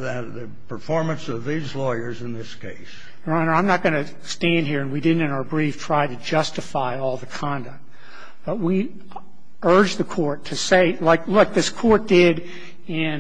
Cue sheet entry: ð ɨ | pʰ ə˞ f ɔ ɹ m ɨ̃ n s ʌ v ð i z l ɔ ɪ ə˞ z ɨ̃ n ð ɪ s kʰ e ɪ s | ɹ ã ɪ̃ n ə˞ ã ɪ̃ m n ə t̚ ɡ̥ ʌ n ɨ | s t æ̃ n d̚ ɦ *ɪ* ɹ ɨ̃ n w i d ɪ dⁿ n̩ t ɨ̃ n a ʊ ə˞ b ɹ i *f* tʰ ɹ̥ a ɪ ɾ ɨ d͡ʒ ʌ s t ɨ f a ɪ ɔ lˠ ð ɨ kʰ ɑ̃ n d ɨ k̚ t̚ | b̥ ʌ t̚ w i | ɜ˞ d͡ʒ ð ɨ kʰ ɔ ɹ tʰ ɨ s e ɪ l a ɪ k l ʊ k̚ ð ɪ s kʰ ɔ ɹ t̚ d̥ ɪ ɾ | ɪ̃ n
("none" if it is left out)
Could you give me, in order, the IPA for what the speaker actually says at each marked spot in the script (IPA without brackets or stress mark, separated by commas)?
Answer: i, f